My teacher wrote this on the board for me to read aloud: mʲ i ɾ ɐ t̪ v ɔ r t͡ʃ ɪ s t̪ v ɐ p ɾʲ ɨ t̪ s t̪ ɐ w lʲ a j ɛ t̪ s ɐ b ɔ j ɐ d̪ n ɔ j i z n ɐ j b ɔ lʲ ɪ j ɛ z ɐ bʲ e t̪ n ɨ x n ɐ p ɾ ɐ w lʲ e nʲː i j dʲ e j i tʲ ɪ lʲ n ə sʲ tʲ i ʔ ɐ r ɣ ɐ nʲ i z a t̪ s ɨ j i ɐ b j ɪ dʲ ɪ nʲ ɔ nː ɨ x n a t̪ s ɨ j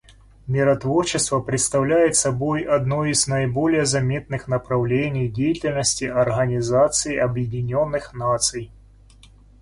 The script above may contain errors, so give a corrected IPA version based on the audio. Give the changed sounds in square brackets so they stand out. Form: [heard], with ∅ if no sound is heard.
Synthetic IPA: mʲ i ɾ ɐ t̪ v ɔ r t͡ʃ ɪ s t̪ v ɐ p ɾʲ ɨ t̪ s t̪ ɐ w lʲ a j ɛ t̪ s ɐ b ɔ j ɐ d̪ n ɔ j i z n ɐ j b ɔ lʲ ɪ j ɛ z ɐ [mʲ] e t̪ n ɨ x n ɐ p ɾ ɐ w lʲ e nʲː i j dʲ e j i tʲ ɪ lʲ n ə sʲ tʲ i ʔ ɐ r ɣ ɐ nʲ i z a t̪ s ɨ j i ɐ b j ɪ dʲ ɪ nʲ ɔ nː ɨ x n a t̪ s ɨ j